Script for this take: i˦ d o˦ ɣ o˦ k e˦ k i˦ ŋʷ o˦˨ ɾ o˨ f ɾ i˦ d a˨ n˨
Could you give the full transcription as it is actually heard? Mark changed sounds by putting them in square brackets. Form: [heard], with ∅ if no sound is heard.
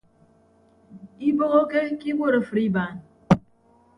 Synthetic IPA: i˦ [b] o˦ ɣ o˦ k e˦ k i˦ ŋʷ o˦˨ ɾ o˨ f ɾ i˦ [b] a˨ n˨